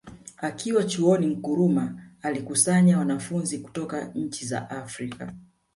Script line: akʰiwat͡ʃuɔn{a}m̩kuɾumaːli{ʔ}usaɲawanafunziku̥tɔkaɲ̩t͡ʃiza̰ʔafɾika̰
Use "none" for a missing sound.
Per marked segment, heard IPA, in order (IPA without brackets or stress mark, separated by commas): i, k